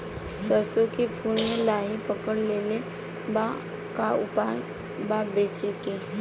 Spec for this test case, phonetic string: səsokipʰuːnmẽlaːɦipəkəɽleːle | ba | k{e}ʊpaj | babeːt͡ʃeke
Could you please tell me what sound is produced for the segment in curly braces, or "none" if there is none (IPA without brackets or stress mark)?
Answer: a